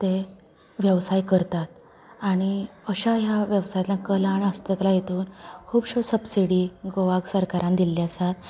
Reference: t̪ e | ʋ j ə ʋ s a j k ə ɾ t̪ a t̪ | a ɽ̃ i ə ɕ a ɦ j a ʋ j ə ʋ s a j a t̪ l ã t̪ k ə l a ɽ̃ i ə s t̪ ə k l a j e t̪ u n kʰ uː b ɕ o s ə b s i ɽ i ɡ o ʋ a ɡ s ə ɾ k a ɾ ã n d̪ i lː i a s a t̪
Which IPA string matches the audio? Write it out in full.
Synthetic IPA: t̪ e | ʋ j ə ʋ s a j k ə ɾ t̪ a t̪ | a ɽ̃ i ə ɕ a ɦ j a ʋ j ə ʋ s a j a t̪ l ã k ə l a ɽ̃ i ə s t̪ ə k l a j e t̪ uː n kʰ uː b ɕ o s ə b s i ɽ i ɡ o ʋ a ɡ s ə ɾ k a ɾ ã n d̪ i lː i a s a t̪